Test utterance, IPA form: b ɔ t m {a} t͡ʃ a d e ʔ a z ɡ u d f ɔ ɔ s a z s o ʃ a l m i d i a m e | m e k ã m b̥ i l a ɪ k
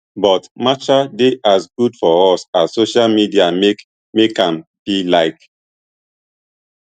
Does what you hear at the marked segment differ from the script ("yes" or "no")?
no